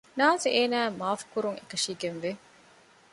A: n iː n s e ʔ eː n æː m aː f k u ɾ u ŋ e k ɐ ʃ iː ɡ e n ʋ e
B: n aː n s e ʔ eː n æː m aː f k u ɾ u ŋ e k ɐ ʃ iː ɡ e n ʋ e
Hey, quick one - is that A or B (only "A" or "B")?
B